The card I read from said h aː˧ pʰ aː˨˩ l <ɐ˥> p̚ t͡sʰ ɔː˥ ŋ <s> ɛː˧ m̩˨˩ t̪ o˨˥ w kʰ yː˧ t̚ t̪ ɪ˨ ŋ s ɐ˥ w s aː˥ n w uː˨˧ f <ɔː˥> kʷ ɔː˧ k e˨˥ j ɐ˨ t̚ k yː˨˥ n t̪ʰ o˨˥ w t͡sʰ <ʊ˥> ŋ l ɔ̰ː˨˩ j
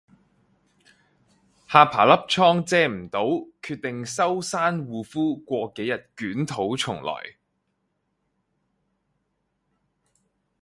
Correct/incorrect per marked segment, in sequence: correct, incorrect: t͡s, incorrect: uː˥, incorrect: ʊ˨˩

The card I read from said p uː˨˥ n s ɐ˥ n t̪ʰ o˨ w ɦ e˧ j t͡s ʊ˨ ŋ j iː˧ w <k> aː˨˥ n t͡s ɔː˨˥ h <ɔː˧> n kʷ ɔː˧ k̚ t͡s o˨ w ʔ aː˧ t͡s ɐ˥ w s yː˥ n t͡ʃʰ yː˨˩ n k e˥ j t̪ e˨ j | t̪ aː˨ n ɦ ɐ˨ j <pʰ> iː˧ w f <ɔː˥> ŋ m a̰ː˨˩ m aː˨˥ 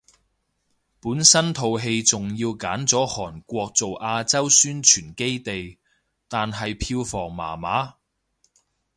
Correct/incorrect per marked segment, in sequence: correct, incorrect: ɔː˨˩, correct, incorrect: ɔː˨˩

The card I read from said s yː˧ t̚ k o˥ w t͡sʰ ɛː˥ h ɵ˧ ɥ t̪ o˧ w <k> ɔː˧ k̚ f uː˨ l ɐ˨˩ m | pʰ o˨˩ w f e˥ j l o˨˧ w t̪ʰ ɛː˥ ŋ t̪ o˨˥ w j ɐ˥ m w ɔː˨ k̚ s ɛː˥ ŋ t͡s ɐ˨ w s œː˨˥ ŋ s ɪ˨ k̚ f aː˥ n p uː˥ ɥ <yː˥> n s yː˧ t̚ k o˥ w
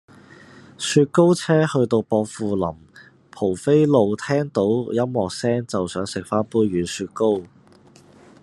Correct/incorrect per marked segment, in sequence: incorrect: p, incorrect: yː˨˥

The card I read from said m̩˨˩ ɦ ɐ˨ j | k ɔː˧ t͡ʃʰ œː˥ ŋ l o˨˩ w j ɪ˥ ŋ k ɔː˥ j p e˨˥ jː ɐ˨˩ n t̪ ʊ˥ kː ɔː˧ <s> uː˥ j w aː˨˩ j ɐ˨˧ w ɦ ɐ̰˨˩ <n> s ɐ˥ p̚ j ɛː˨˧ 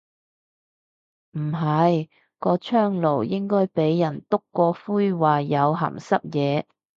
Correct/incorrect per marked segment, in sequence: incorrect: f, incorrect: m

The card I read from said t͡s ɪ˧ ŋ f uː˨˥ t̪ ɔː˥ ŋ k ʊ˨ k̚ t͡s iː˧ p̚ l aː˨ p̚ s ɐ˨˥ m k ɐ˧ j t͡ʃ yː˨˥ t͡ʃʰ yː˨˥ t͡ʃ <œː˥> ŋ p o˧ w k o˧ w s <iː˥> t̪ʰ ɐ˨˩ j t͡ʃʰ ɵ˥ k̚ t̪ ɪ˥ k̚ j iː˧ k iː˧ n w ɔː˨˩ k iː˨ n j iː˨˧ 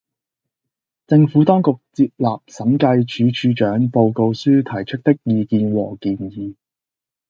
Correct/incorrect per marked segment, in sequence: incorrect: œː˨˥, incorrect: yː˥

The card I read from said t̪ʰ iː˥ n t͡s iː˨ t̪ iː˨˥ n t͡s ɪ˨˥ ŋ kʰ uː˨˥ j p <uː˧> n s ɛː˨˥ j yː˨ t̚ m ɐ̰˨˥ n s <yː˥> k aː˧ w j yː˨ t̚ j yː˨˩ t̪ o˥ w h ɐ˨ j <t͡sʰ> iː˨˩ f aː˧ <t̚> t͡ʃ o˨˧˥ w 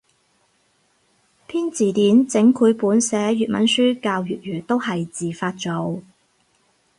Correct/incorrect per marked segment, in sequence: incorrect: uː˨˥, correct, incorrect: t͡s, correct

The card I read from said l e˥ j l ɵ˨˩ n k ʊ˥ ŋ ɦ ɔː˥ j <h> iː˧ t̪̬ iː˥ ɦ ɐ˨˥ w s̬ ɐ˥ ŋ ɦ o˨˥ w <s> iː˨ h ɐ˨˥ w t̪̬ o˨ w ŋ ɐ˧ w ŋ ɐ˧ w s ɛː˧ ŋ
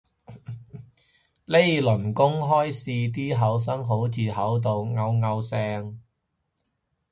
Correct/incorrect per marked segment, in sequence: incorrect: s, incorrect: t͡s

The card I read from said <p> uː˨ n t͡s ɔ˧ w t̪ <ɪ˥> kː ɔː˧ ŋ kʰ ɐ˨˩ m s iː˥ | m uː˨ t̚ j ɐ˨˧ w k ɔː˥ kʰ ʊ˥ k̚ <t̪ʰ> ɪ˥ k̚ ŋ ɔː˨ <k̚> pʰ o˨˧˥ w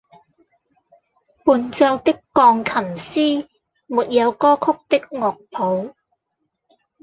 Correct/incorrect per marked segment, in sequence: correct, correct, incorrect: t̪, correct

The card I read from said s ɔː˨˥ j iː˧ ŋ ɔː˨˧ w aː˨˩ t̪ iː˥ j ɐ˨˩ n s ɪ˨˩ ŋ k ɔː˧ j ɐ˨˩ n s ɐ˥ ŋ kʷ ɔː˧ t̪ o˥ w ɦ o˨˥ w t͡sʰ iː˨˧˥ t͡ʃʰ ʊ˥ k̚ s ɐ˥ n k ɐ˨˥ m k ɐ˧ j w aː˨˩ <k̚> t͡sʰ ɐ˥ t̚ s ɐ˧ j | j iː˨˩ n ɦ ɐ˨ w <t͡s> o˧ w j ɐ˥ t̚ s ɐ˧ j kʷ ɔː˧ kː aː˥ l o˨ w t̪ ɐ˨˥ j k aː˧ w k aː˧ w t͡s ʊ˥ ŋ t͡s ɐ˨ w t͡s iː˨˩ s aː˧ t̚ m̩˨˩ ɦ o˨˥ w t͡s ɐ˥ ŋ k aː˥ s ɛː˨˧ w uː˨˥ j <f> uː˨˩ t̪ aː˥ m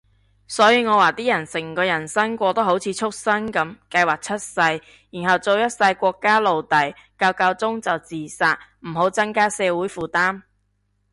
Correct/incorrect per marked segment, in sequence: correct, correct, correct

